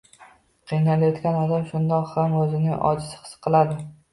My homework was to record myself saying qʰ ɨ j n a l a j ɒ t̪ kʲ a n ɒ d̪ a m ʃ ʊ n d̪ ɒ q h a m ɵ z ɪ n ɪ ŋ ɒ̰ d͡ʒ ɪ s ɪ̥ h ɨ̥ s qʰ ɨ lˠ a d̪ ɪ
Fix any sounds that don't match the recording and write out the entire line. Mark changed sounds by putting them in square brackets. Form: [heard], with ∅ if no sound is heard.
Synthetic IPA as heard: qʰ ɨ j n a l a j ɒ t̪ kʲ a n ɒ d̪ a m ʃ ʊ n d̪ ɒ q h a m ɵ z ɪ n ɪ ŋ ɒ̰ d͡ʒ ɪ s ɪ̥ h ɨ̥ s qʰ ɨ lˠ a d̪ ɪ